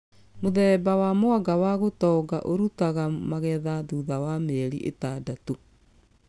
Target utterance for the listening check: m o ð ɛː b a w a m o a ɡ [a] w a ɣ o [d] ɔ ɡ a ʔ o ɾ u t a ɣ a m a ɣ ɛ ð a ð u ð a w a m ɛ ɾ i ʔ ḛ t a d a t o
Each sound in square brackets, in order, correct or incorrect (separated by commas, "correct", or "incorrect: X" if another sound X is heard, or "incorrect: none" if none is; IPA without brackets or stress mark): correct, incorrect: t